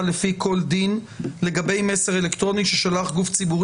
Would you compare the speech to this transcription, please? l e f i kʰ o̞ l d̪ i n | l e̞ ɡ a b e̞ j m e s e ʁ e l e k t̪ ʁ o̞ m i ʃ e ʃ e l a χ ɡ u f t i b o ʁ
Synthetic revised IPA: l e f i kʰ o̞ l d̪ i n | l e̞ ɡ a b e̞ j m e s e ʁ e l e k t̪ ʁ o̞ n i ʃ e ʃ a l a χ ɡ u f t͡s i b u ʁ